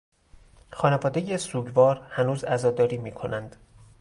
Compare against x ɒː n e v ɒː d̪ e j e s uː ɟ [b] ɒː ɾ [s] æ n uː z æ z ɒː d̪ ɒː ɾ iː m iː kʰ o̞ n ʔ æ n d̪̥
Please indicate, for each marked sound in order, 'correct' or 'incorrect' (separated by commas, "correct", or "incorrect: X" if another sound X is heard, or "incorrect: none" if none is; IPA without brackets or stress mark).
incorrect: v, incorrect: h